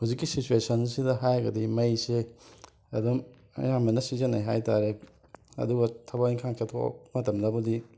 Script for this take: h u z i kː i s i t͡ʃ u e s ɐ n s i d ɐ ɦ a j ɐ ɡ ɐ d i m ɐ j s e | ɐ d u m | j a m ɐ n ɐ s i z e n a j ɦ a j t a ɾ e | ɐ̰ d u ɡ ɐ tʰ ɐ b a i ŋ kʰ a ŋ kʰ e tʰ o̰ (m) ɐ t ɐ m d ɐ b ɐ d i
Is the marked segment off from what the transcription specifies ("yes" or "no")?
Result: no